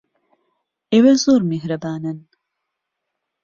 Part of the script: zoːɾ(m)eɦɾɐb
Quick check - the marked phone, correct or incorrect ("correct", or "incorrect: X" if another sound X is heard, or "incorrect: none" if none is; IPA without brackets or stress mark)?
correct